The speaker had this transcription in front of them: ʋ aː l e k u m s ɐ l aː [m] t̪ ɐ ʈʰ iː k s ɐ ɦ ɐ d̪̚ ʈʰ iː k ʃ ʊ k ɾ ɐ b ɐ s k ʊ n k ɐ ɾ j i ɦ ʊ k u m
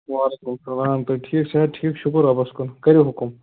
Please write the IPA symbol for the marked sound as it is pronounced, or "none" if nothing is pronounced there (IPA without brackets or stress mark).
m